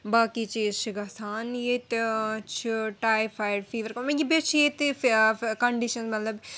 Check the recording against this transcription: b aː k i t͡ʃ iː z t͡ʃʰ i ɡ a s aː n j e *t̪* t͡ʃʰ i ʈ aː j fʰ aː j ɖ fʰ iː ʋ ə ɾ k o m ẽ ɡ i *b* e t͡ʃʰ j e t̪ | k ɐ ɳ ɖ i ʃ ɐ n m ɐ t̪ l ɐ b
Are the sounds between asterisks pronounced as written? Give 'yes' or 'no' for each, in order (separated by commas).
yes, yes